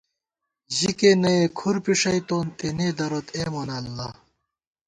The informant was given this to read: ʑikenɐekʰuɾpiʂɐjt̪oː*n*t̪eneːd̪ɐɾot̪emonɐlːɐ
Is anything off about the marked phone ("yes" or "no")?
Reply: no